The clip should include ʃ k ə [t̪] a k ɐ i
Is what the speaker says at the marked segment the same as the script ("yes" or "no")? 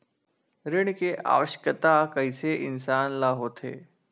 yes